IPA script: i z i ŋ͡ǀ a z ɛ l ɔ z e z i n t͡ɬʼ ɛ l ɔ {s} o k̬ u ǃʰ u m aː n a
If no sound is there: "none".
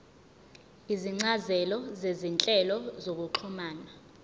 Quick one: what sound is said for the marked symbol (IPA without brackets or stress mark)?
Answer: z